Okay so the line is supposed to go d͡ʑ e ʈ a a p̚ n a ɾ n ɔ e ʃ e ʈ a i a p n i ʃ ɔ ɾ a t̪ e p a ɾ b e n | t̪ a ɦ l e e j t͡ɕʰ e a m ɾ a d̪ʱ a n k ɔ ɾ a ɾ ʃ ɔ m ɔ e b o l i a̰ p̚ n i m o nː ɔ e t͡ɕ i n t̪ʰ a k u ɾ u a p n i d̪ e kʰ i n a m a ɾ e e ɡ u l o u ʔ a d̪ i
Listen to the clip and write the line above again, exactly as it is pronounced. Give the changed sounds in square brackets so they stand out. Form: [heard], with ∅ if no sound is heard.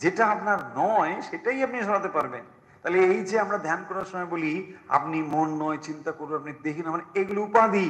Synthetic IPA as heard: d͡ʑ e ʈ a a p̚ n a ɾ n ɔ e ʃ e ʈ a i a p n i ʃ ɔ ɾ a t̪ e p a ɾ b e n | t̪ a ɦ l e e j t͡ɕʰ e a m ɾ a d̪ʱ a n k ɔ ɾ a ɾ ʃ ɔ m ɔ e b o l i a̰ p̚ n i m o nː ɔ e t͡ɕ i n [t̪] a k [o] ɾ u a p n i d̪ e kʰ i n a m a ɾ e e ɡ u l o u [p] a d̪ i

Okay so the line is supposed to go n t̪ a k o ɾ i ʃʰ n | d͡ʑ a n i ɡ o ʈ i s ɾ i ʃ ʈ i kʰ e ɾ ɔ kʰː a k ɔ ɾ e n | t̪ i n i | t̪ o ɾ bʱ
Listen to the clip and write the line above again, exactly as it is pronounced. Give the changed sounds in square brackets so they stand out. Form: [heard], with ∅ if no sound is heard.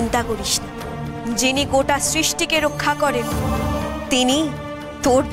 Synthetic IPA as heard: n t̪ a k o ɾ i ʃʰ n | d͡ʑ [i] n i ɡ o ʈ [a] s ɾ i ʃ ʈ i [k] e ɾ [o] kʰː a k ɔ ɾ e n | t̪ i n i | t̪ o ɾ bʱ

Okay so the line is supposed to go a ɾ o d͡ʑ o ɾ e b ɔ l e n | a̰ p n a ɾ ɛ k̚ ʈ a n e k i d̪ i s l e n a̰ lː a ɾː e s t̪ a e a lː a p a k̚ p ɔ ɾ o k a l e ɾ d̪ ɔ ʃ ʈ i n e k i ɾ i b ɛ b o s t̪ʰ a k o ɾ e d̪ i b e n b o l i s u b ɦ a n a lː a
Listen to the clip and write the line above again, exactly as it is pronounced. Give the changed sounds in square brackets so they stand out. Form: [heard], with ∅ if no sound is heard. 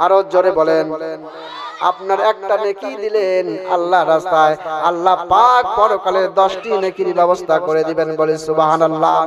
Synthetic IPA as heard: a ɾ o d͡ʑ o ɾ e b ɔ l e n | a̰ p n a ɾ ɛ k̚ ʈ a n e k i d̪ i [∅] l e n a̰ lː a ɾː [a] s t̪ a e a lː a p a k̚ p ɔ ɾ o k a l e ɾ d̪ ɔ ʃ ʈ i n e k i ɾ i b ɛ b o s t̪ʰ a k o ɾ e d̪ i b e n b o l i s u b ɦ a n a lː a

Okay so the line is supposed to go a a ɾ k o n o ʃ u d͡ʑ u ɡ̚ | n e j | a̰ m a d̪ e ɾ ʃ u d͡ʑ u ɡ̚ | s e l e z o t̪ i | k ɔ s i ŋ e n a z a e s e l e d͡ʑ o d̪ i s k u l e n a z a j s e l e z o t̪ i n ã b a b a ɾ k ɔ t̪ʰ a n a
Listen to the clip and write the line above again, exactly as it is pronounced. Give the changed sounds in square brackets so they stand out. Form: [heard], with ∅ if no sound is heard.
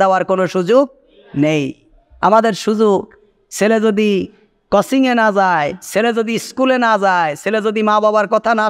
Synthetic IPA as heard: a a ɾ k o n o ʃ u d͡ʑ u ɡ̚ | n e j | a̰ m a d̪ e ɾ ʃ u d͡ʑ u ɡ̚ | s e l e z o [d̪] i | k ɔ s i ŋ e n a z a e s e l e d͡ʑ o d̪ i s k u l e n a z a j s e l e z o [d̪] i [m] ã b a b a ɾ k ɔ t̪ʰ a n a

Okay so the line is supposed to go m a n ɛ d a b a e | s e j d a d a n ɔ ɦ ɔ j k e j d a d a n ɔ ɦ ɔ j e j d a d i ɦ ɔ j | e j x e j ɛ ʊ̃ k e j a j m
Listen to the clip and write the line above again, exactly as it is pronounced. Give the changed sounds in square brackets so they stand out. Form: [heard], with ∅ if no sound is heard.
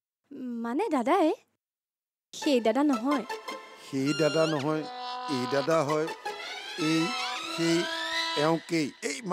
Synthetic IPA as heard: m a n ɛ d a [d] a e | [x] e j d a d a n ɔ ɦ ɔ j [x] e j d a d a n ɔ ɦ ɔ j e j d a d [a] ɦ ɔ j | e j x e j ɛ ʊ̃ k e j [e] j m

